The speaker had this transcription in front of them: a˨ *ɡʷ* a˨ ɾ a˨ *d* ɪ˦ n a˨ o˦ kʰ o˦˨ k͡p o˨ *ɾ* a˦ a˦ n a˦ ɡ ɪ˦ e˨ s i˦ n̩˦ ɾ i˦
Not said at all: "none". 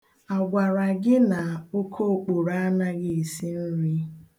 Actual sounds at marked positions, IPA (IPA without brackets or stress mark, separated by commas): ɡʷ, ɡ, ɾ